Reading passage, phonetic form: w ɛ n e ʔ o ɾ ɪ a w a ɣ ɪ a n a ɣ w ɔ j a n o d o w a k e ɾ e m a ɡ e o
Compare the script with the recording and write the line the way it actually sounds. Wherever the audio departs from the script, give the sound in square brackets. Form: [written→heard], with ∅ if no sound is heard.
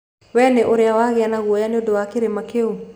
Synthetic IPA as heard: w ɛ n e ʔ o ɾ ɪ a w a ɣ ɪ a n a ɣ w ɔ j a n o d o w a k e ɾ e m a [ɡ→k] e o